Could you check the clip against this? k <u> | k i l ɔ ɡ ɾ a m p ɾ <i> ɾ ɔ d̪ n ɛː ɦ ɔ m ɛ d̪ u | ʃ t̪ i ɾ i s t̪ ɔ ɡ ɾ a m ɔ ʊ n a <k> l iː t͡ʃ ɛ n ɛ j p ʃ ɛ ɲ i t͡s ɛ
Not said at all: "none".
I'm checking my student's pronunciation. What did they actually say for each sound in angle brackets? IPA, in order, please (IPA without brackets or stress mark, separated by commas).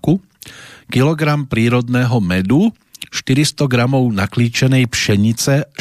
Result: u, iː, k